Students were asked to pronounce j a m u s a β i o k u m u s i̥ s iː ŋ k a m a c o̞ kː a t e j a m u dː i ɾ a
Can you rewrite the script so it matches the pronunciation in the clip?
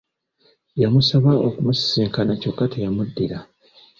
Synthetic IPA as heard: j a m u s a β a o k u m u s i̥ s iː ŋ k a n a c o̞ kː a t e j a m u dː i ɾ a